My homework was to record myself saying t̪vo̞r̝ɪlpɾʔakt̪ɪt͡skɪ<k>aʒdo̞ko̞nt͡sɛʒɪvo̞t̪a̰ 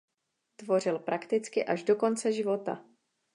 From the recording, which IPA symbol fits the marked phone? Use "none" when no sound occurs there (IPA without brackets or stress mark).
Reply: ʔ